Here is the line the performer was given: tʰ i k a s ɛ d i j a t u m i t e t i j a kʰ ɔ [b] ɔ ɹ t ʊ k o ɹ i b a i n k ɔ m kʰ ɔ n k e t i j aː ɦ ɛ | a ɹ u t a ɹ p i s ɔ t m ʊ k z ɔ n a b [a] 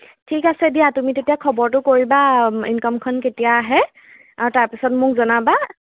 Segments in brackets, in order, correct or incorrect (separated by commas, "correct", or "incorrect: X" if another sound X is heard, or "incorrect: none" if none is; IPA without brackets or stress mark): correct, correct